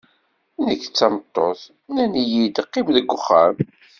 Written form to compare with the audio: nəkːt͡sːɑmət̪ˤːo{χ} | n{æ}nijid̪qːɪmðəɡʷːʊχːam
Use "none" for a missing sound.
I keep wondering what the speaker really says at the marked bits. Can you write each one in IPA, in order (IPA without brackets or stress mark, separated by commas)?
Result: θ, æ